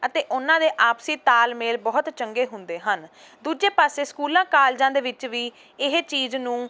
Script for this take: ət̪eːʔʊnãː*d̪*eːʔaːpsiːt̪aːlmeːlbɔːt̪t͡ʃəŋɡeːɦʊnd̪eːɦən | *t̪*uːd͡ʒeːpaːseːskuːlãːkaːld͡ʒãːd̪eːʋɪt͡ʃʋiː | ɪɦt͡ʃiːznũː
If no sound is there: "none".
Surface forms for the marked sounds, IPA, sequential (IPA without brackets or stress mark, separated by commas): d̪, d̪